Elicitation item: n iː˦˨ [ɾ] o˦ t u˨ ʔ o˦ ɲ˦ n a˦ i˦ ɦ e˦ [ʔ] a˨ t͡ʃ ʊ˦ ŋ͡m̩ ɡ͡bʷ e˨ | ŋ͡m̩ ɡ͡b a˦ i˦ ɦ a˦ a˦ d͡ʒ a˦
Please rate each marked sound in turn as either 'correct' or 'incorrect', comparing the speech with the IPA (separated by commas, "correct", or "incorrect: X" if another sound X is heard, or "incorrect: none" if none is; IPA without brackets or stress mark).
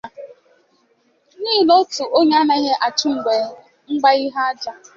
incorrect: l, correct